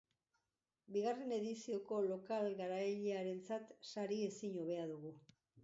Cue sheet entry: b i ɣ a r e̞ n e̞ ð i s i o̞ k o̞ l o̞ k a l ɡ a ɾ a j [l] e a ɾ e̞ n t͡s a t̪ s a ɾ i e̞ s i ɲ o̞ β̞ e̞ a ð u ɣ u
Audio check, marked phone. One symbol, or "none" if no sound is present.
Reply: ʎ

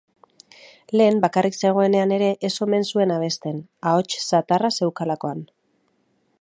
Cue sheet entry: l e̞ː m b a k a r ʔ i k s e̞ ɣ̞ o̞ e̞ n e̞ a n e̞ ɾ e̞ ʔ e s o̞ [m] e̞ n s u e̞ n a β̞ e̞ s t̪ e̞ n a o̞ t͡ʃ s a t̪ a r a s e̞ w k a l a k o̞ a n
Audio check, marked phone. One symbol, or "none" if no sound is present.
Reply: m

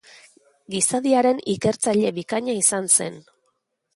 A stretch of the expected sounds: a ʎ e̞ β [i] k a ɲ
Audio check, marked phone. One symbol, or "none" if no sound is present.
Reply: i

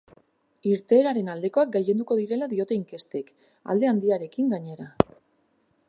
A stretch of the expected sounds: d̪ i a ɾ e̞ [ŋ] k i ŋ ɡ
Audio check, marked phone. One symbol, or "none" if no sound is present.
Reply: none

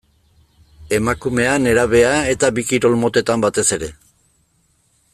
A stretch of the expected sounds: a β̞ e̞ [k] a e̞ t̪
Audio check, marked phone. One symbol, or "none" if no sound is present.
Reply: none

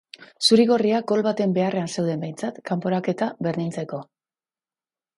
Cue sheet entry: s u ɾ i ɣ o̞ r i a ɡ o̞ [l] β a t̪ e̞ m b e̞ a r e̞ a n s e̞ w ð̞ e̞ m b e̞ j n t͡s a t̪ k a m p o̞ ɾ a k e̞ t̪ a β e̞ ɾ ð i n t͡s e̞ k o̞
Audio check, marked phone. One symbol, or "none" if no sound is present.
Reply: l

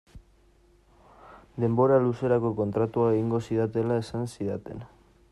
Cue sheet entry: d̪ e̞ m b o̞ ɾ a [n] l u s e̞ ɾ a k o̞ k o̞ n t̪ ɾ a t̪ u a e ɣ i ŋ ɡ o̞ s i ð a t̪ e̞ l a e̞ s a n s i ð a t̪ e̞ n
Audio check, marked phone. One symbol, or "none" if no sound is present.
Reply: none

